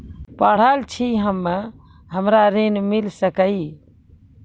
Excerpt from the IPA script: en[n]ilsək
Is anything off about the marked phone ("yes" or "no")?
yes